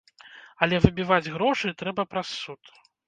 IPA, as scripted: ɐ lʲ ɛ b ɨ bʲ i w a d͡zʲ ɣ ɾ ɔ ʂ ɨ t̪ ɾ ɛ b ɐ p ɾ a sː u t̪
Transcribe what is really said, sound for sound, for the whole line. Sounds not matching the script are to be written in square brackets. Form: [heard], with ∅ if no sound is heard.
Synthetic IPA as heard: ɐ lʲ ɛ [v] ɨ bʲ i [v] a d͡zʲ ɣ ɾ ɔ ʂ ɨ t̪ ɾ ɛ b ɐ p ɾ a sː u t̪